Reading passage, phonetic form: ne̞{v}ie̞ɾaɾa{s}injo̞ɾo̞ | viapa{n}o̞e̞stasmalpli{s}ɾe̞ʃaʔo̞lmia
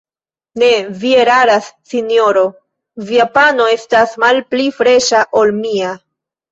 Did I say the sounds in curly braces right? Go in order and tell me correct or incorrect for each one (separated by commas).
correct, incorrect, correct, incorrect